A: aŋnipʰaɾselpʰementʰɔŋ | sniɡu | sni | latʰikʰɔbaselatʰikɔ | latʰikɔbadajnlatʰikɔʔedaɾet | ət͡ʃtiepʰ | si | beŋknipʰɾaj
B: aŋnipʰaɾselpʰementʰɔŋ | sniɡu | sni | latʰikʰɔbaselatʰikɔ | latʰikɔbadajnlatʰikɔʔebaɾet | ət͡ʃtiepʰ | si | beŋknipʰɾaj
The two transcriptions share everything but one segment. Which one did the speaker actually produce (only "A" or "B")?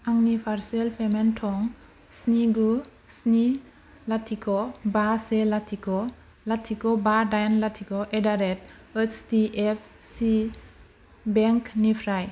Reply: A